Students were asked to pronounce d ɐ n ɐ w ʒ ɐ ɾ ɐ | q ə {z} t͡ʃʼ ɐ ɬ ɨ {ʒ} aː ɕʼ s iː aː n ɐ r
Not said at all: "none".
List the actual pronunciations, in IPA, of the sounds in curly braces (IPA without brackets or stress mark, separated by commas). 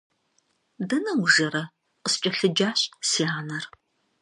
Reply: s, d͡ʒ